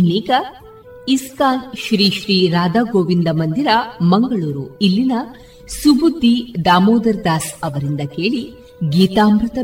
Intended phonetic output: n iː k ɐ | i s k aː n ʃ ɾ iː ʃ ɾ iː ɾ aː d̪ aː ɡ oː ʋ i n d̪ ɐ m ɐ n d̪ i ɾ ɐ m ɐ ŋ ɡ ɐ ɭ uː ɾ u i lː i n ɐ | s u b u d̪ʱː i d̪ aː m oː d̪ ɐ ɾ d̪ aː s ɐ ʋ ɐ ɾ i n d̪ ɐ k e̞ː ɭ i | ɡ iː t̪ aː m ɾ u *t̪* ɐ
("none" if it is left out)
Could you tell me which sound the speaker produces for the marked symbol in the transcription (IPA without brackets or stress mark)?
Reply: t̪